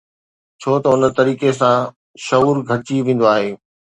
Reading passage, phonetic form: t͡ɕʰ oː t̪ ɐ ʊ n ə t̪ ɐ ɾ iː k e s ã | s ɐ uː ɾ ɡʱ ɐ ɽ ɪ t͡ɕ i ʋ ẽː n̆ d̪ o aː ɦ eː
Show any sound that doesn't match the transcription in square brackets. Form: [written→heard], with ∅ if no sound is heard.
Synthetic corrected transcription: t͡ɕʰ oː t̪ ɐ ʊ n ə t̪ ɐ ɾ iː k e s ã | [s→ʃ] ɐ uː ɾ ɡʱ ɐ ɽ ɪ t͡ɕ i ʋ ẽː n̆ d̪ o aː ɦ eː